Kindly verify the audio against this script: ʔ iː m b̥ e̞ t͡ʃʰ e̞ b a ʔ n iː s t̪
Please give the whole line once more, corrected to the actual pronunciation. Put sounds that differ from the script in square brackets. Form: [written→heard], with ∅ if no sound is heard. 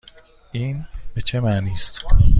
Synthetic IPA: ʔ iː [m→n] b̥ e̞ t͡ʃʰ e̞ [b→m] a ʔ n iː s t̪